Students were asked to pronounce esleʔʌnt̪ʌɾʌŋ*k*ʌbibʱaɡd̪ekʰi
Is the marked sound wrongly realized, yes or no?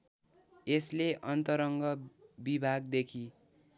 yes